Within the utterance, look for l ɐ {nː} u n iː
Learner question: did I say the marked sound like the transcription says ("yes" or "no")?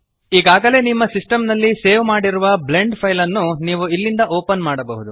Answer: yes